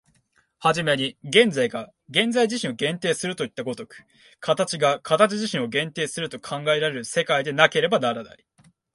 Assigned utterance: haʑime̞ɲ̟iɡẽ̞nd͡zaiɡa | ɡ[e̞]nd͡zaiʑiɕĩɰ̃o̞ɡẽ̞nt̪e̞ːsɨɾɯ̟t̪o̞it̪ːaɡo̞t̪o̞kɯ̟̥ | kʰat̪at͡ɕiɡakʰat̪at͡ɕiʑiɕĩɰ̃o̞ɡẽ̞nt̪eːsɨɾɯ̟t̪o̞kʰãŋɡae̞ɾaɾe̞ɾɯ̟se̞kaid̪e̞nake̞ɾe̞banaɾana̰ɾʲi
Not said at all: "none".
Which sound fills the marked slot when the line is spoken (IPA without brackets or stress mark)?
ẽ̞